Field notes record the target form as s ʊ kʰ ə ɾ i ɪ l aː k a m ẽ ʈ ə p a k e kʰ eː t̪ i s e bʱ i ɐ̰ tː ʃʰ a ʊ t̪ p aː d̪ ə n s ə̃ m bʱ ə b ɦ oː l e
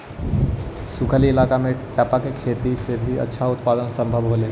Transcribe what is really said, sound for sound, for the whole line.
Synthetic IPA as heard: s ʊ kʰ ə l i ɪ l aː k a m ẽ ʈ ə p a k e kʰ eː t̪ i s e bʱ i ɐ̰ tː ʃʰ a ʊ t̪ p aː d̪ ə n s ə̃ m bʱ ə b ɦ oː l e